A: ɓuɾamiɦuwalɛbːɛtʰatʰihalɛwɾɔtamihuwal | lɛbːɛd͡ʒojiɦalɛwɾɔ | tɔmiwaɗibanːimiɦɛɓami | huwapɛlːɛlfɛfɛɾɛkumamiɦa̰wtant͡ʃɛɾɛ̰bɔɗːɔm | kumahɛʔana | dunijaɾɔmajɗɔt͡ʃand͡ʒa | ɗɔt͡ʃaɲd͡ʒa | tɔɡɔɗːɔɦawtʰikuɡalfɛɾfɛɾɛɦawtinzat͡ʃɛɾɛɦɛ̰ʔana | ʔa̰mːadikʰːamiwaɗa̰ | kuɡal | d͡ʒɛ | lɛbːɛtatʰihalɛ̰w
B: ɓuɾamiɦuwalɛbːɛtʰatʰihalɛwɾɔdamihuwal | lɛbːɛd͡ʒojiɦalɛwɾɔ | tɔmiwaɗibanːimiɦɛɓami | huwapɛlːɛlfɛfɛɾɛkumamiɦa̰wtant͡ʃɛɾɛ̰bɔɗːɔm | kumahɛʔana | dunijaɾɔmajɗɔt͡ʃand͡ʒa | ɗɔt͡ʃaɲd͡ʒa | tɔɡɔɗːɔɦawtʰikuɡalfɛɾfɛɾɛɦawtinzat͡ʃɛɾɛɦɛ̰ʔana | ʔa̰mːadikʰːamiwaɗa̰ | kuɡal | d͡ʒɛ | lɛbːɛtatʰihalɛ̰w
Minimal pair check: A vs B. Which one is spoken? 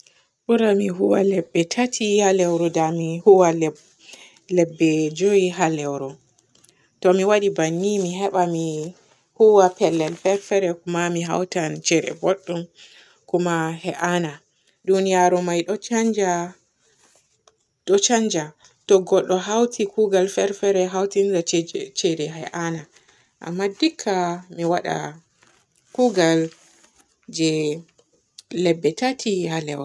B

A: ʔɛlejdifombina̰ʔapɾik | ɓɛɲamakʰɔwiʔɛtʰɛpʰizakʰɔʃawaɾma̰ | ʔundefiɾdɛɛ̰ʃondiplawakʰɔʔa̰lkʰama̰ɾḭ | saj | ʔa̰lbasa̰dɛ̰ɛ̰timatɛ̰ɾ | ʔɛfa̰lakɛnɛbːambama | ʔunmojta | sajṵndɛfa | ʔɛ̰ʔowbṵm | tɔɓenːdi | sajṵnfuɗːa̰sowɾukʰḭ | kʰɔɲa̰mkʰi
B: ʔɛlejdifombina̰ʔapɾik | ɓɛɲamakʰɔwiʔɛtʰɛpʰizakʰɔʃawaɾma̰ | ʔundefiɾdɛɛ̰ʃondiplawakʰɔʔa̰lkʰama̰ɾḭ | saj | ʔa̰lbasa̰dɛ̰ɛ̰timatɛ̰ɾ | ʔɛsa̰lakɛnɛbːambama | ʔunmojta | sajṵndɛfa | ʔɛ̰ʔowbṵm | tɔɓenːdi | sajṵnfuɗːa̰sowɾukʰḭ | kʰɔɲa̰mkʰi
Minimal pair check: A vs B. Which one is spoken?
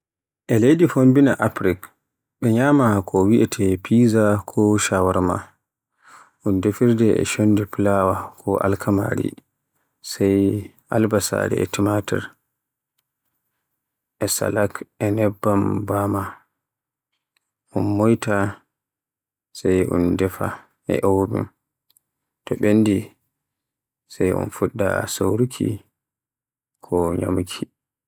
B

